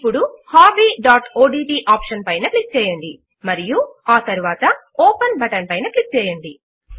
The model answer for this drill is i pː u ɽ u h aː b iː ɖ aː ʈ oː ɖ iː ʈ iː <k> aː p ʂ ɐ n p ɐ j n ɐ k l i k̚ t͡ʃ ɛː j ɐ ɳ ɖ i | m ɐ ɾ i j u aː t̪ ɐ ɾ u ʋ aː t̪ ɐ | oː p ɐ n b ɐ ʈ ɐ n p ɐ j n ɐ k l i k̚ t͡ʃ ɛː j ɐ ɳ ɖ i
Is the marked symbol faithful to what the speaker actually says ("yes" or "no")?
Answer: no